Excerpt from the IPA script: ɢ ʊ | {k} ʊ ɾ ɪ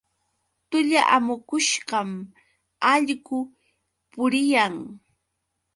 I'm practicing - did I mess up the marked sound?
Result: yes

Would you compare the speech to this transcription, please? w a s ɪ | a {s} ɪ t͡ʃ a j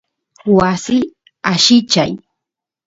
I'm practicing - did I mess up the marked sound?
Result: yes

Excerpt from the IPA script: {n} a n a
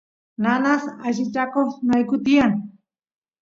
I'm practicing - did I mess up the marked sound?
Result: no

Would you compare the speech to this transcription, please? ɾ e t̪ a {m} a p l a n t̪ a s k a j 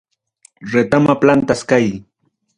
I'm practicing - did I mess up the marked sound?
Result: no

